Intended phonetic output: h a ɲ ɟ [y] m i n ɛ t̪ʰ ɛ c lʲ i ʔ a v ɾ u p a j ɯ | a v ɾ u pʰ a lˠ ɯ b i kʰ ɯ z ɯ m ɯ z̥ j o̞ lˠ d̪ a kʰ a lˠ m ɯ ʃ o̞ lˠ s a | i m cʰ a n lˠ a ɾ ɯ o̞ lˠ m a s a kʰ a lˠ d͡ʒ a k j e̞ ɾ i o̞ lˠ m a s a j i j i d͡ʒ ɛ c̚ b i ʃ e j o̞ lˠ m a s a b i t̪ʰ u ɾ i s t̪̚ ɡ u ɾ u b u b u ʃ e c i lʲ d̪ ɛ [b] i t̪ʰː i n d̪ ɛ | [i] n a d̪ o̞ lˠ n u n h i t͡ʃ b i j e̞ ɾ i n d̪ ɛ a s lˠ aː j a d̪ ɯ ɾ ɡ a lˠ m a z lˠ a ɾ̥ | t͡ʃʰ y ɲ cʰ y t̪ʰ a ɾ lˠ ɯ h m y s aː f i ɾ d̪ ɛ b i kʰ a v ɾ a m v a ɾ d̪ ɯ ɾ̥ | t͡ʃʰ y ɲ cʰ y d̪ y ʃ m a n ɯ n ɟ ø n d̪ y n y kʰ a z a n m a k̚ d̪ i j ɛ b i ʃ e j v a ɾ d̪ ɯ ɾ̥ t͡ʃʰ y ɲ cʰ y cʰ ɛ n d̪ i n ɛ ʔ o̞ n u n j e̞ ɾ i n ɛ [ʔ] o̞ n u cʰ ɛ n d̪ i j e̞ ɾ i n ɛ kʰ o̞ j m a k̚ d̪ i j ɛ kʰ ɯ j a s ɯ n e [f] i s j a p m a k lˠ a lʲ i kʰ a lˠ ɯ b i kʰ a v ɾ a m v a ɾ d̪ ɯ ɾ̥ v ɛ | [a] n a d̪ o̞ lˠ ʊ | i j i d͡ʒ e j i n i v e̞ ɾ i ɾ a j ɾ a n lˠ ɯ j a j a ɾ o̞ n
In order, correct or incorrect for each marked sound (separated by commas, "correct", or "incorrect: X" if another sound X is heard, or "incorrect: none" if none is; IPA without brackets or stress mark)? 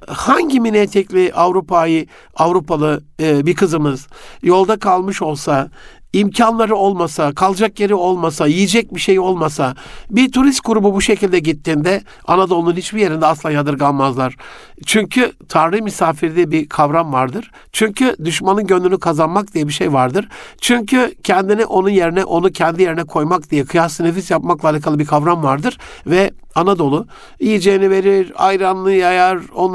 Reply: incorrect: i, incorrect: ɟ, incorrect: a, correct, correct, correct